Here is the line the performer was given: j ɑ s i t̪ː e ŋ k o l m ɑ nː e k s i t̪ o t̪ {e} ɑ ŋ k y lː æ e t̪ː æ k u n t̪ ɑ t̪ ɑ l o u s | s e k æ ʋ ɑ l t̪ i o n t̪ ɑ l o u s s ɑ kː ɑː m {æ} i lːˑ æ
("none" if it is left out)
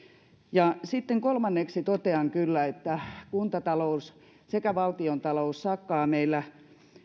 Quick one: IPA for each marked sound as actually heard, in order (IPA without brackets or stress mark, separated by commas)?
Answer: e, e